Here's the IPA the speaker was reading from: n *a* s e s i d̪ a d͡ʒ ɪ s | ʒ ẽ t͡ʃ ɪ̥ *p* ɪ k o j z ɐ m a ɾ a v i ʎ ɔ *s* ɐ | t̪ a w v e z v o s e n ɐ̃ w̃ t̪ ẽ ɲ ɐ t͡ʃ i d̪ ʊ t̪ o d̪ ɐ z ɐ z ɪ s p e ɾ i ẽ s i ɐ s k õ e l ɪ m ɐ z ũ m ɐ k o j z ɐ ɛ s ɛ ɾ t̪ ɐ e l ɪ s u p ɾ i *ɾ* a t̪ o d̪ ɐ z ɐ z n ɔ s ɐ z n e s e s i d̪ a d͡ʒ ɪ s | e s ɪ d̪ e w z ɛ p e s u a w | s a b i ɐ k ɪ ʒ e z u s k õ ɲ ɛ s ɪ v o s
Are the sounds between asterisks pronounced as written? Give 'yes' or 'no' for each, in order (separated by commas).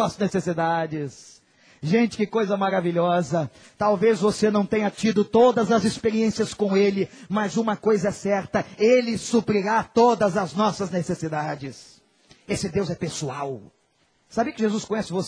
no, no, no, yes